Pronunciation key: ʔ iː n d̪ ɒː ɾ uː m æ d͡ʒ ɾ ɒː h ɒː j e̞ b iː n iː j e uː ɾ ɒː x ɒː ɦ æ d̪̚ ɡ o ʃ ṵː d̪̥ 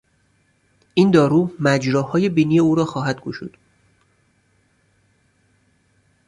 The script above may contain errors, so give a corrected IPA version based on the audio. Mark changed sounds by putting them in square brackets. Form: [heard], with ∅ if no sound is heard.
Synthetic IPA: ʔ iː n d̪ ɒː ɾ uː m æ d͡ʒ ɾ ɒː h ɒː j e̞ b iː n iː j e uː ɾ ɒː x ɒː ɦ æ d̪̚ ɡ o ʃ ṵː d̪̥

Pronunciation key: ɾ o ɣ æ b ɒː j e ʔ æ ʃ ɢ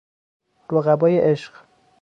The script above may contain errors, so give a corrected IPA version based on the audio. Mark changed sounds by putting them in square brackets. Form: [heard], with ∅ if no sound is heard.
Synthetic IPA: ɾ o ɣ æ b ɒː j e ʔ [e] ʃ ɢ

